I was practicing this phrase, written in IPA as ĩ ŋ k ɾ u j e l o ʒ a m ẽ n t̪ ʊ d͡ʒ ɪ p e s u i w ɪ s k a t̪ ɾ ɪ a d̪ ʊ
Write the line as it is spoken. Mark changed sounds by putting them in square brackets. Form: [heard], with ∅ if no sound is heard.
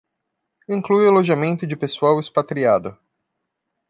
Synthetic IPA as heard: ĩ ŋ k [l] u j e l o ʒ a m ẽ n t̪ ʊ d͡ʒ ɪ p e s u [a] w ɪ s [p] a t̪ ɾ [i] a d̪ ʊ